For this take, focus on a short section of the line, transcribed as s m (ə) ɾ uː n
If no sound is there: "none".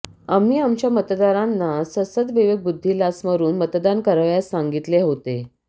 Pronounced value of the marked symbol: ə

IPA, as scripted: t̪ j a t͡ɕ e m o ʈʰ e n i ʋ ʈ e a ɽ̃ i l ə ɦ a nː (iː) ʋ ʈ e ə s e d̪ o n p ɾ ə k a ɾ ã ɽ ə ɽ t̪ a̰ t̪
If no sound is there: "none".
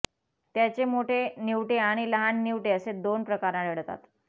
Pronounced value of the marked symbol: i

